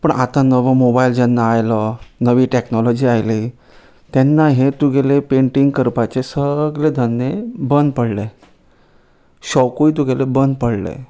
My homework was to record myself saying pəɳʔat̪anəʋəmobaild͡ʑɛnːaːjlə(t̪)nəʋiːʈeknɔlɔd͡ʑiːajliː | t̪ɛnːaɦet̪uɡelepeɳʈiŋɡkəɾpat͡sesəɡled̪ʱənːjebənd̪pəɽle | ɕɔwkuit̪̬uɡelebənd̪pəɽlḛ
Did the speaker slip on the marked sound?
yes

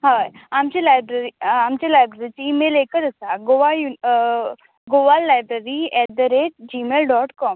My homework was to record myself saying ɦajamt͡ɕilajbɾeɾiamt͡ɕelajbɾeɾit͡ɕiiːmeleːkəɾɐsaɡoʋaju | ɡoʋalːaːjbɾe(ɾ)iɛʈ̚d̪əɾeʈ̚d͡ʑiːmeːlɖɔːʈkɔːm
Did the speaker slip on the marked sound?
no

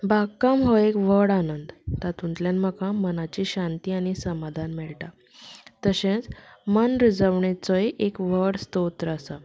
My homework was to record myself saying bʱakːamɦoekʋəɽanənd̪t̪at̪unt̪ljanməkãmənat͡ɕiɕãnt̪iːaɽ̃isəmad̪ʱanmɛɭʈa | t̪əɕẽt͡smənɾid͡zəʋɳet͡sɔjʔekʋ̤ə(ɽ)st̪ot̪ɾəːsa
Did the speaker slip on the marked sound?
no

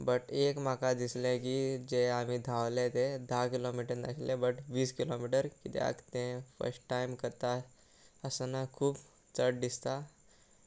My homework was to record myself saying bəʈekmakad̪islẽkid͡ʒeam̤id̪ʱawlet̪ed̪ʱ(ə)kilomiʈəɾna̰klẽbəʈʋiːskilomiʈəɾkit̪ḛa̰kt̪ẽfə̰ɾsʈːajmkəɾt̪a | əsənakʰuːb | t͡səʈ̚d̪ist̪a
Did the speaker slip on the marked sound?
yes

